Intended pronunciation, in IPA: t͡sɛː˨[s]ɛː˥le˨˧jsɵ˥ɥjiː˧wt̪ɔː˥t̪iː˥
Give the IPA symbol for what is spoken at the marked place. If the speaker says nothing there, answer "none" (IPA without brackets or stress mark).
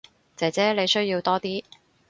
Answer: t͡s